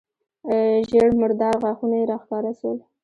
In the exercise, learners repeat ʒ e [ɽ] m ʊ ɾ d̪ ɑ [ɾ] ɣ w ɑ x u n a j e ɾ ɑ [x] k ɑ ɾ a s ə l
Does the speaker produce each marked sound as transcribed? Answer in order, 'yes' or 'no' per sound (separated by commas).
yes, yes, yes